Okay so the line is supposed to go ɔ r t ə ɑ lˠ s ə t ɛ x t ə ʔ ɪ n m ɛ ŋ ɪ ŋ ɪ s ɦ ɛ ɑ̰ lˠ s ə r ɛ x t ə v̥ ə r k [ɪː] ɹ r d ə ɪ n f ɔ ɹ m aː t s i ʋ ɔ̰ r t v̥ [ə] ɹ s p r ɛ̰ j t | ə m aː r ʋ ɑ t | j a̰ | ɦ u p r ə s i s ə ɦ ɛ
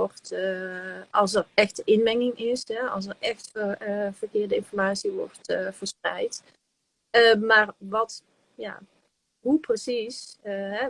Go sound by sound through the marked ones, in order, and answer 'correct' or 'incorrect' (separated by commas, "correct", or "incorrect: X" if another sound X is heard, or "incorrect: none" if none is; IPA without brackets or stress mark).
correct, correct